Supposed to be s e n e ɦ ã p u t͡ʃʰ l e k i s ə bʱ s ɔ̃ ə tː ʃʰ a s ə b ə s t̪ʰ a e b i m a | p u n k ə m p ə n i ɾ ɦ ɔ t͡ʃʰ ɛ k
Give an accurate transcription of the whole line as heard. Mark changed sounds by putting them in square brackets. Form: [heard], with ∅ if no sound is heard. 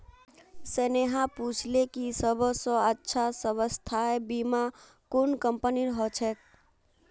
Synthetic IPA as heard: s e n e ɦ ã p u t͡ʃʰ l e k i s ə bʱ s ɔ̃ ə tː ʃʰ a s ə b ə s t̪ʰ a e b i m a | [k] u n k ə m p ə n i ɾ ɦ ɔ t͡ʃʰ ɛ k